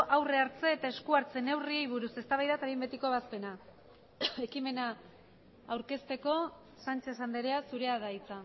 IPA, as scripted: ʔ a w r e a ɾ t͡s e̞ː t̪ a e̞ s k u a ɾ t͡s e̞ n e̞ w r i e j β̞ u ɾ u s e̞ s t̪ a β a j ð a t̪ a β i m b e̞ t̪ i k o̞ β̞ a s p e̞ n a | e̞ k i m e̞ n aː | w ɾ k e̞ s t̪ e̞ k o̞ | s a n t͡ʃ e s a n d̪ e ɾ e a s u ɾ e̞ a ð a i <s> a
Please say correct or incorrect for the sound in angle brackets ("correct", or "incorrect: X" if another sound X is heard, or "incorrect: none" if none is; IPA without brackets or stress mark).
incorrect: t͡s